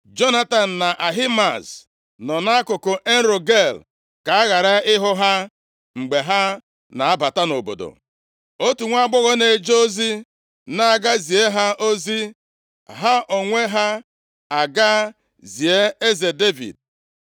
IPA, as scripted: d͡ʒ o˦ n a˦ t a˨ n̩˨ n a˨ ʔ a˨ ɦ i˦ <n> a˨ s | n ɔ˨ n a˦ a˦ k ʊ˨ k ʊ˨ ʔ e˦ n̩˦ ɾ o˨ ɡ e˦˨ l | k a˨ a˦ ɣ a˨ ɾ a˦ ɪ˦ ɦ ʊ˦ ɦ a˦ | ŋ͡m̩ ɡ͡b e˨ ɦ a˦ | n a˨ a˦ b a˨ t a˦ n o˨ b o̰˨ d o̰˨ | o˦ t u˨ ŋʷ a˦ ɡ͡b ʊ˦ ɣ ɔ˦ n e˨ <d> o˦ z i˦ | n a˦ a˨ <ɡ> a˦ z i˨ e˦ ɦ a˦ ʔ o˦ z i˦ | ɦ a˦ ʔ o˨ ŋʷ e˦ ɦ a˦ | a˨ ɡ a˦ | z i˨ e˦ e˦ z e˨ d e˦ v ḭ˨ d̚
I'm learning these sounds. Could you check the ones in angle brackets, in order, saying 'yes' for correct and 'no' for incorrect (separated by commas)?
no, no, yes